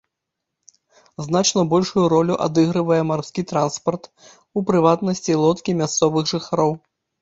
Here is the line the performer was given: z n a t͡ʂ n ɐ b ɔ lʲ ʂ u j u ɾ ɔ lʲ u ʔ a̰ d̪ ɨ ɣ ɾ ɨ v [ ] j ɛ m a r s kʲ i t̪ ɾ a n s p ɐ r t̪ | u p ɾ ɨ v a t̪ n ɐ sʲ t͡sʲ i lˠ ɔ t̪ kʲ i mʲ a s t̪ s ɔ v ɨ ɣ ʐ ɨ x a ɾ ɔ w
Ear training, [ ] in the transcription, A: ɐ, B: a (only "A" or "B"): A